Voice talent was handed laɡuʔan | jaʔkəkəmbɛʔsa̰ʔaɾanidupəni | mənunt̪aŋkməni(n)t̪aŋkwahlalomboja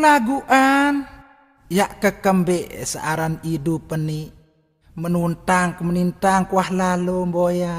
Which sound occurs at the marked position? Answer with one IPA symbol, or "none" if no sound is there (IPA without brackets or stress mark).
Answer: n